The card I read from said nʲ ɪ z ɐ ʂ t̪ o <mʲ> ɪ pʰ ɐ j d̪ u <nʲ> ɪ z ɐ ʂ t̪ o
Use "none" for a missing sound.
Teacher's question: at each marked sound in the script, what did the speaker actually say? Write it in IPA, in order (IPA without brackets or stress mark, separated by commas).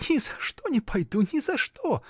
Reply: nʲ, nʲ